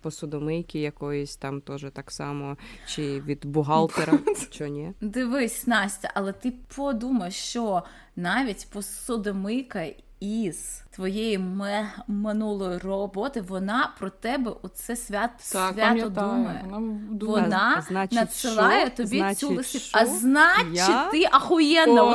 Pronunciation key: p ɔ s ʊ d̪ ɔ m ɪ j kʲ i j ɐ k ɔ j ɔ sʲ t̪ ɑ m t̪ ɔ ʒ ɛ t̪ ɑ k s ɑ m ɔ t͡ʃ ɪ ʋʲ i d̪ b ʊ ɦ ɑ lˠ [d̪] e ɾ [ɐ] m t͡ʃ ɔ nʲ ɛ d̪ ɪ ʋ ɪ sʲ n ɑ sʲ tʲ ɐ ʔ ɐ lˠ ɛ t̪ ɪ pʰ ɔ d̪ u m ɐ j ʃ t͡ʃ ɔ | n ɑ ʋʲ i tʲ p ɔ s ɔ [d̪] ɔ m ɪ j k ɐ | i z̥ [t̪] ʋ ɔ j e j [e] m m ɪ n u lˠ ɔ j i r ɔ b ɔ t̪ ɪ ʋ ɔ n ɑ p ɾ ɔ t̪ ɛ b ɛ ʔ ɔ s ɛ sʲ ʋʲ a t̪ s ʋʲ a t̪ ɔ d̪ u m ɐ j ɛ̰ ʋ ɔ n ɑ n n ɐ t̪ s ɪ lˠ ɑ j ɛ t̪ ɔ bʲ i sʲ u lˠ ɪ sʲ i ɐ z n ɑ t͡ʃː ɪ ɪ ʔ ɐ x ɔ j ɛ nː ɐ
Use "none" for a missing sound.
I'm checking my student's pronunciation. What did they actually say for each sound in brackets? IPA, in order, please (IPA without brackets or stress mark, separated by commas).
t̪, ɐ, d̪, t̪, i